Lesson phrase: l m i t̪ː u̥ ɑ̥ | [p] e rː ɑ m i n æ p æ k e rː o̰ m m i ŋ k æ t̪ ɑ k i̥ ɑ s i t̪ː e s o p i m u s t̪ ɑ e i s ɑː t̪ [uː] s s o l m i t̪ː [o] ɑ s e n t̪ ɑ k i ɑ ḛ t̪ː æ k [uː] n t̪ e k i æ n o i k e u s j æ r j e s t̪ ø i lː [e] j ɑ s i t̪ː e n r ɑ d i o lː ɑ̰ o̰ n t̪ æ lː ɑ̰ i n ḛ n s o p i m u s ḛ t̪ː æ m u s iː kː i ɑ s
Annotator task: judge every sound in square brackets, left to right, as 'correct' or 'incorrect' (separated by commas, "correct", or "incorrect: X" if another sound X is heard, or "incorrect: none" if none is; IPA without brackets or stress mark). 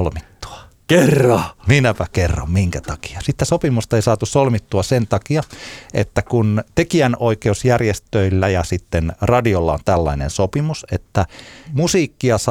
incorrect: k, incorrect: u, incorrect: u, incorrect: u, incorrect: æ